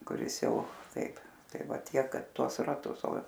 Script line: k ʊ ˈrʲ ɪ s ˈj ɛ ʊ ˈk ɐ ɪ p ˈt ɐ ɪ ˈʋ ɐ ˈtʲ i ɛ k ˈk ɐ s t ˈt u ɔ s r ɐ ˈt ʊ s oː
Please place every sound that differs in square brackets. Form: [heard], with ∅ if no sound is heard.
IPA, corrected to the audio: k ʊ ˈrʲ ɪ s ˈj ɛ ʊ [ˈt] ɐ ɪ p ˈt ɐ ɪ ˈʋ ɐ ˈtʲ i ɛ k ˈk ɐ [∅] t ˈt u ɔ s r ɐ ˈt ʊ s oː